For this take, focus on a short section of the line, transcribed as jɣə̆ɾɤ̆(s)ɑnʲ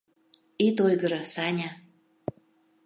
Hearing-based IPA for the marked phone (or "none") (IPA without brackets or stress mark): s